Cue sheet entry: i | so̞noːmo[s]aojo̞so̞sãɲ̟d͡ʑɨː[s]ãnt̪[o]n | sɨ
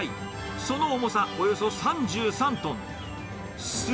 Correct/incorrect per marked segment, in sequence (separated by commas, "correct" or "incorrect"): correct, correct, incorrect